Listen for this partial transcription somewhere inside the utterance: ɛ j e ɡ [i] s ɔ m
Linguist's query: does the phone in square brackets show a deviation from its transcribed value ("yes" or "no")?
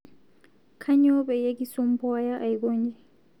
no